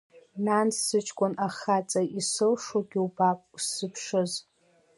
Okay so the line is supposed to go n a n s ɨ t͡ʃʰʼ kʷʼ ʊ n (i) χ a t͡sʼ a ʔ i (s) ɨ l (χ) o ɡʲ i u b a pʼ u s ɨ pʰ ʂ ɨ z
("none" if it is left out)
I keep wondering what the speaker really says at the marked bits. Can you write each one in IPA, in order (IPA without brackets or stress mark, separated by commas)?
a, s, ʂ